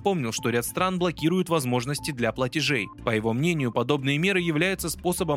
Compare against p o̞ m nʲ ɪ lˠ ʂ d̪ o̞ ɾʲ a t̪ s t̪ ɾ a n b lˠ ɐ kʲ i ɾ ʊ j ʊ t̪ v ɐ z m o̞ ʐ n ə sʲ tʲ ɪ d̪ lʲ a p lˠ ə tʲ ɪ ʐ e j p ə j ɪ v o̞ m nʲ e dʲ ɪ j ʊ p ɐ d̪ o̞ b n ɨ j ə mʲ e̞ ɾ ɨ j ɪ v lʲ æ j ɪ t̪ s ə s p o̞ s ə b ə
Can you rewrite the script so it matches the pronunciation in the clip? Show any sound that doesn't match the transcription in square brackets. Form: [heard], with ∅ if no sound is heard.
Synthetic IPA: p o̞ m nʲ ɪ lˠ ʂ [t̪] o̞ ɾʲ a t̪ s t̪ ɾ a n b lˠ ɐ kʲ i ɾ ʊ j ʊ t̪ v ɐ z m o̞ ʐ n ə sʲ tʲ ɪ d̪ lʲ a p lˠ ə tʲ ɪ ʐ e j p ə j ɪ v o̞ m nʲ e [nʲ] ɪ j ʊ p ɐ d̪ o̞ b n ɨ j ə mʲ e̞ ɾ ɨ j ɪ v lʲ æ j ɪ t̪ s ə s p o̞ s ə b ə